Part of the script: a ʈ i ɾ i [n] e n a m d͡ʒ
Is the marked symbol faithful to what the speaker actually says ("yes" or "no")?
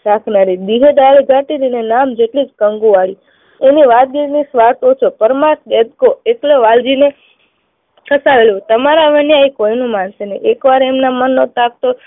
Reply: yes